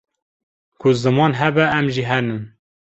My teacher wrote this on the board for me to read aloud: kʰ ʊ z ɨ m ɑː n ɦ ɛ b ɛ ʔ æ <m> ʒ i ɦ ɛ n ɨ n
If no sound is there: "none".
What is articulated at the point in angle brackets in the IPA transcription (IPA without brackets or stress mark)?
m